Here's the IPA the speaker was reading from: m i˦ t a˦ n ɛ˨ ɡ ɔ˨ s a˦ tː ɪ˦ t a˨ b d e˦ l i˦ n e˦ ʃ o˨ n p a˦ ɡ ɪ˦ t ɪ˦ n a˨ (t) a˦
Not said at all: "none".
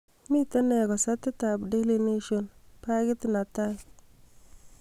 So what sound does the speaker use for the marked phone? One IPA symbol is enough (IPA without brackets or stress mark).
t